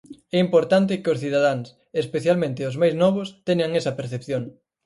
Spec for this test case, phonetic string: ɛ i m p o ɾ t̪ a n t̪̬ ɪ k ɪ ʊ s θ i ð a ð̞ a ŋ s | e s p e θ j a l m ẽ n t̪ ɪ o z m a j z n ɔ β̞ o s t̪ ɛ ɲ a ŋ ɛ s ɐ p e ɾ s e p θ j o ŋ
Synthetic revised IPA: ɛ i m p o ɾ t̪ a n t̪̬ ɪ k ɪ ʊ s θ i ð a ð̞ a ŋ s | e s p e θ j a l m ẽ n t̪ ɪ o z m a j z n ɔ β̞ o s t̪ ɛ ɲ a ŋ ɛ s ɐ p e ɾ θ e p θ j o ŋ